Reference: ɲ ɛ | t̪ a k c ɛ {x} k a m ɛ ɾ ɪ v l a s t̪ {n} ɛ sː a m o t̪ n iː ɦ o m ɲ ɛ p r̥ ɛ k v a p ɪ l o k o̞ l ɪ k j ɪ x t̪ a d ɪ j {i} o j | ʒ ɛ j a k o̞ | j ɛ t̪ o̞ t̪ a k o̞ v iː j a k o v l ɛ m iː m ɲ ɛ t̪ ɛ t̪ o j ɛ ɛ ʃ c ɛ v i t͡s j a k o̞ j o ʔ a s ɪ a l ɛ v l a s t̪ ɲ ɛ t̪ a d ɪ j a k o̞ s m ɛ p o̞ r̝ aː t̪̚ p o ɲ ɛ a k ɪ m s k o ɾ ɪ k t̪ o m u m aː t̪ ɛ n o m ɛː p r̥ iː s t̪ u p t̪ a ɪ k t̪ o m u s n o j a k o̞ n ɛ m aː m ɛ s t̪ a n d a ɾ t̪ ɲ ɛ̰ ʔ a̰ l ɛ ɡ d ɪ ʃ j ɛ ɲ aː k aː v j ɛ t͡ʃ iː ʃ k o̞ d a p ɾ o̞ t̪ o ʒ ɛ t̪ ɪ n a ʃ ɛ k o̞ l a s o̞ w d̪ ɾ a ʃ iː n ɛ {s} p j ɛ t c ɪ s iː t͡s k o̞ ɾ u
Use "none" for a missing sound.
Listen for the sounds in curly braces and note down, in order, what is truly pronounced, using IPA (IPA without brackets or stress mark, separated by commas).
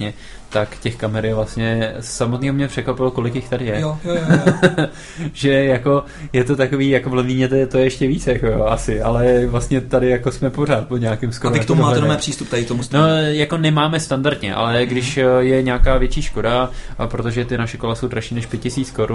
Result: x, ɲ, ɛ, ʃ